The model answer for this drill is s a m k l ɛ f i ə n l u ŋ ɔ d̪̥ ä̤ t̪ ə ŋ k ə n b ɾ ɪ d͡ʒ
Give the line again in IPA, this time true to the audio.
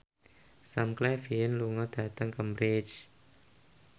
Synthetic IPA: s a m k l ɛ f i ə n l u ŋ ɔ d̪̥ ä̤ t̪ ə ŋ k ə m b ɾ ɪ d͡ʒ